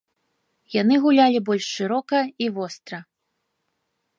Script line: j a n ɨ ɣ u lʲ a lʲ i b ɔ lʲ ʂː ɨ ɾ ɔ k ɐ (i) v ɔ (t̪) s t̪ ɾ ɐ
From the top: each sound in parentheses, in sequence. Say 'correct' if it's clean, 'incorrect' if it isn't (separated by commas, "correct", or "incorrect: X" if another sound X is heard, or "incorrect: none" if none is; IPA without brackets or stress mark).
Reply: correct, incorrect: none